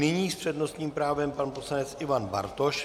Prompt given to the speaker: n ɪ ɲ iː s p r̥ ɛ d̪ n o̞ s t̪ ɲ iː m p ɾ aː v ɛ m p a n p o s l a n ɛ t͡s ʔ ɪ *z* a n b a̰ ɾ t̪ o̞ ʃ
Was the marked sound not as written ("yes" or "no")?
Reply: yes